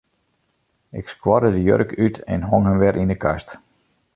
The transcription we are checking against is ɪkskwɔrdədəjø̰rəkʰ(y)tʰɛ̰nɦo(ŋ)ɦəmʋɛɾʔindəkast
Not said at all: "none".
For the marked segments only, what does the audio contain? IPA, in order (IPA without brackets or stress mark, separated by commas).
y, ŋ